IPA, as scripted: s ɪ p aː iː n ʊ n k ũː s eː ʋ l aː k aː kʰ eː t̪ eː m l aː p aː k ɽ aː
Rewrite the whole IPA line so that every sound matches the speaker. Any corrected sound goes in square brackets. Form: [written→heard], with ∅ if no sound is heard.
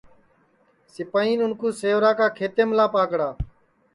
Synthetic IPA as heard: s ɪ p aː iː n ʊ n k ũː s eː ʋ [l→ɾ] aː k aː kʰ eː t̪ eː m l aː p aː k ɽ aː